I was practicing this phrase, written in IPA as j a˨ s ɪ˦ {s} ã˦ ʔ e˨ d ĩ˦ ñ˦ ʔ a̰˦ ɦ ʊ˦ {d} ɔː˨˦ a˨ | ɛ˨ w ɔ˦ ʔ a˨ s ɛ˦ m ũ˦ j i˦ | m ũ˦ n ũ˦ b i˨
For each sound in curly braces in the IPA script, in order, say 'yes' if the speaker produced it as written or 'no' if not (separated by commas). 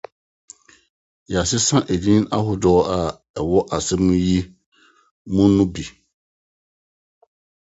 yes, yes